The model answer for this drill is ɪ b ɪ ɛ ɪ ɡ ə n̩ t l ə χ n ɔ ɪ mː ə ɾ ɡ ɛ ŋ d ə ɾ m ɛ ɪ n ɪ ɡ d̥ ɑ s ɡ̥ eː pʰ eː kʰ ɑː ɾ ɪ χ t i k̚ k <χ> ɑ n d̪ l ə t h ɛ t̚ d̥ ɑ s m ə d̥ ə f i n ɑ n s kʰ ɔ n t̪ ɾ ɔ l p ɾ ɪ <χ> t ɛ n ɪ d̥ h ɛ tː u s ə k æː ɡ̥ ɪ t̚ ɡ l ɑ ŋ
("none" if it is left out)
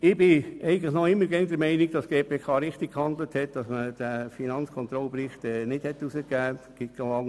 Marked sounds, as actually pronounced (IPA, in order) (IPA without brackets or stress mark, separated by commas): h, χ